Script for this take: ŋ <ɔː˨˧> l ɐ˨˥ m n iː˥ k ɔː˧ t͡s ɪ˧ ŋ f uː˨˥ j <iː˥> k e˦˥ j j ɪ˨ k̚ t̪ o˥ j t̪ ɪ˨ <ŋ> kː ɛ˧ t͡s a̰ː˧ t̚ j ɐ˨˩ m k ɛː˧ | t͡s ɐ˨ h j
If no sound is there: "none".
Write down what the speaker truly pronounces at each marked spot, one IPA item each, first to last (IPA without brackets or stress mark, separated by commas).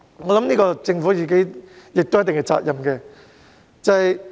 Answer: ɔ˨˧, iː˨˩, ŋ